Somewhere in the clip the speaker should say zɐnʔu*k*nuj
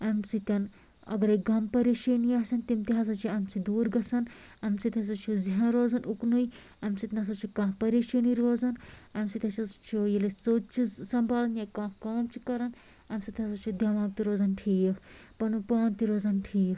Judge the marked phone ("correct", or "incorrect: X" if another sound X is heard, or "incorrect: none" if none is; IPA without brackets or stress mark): correct